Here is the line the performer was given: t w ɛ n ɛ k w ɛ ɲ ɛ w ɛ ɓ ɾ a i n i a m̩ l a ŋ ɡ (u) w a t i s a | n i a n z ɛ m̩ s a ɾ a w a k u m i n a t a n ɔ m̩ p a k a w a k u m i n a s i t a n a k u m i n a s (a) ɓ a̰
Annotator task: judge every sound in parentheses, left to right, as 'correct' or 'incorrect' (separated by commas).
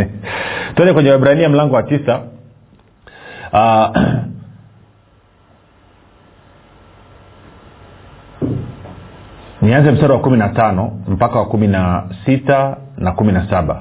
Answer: incorrect, correct